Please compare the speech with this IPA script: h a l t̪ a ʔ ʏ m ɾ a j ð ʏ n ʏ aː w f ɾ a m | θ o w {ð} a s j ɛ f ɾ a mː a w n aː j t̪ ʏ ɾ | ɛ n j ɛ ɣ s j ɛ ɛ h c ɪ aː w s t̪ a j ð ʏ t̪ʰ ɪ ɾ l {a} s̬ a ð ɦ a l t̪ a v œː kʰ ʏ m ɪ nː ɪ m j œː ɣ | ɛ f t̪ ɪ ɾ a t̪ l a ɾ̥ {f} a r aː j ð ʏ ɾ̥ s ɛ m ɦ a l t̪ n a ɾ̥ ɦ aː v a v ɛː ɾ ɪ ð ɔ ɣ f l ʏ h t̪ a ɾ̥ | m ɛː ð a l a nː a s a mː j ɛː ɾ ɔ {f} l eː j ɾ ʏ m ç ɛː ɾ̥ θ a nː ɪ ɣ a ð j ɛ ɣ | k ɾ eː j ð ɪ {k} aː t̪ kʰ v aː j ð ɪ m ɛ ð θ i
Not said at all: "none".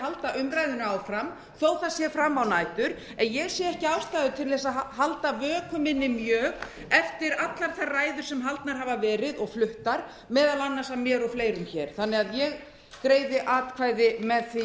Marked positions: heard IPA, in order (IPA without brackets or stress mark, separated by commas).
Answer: θ, ɛ, θ, f, ʔ